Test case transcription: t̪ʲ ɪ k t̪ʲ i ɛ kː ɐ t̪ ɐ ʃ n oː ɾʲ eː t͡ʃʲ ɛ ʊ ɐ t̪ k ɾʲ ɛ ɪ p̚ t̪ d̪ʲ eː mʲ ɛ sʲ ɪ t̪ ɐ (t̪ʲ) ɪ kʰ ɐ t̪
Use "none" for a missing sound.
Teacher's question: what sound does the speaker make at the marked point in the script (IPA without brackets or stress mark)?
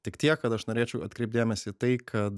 none